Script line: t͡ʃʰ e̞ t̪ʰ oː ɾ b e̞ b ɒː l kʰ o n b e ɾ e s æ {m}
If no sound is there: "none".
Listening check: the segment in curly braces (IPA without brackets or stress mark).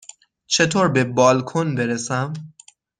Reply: m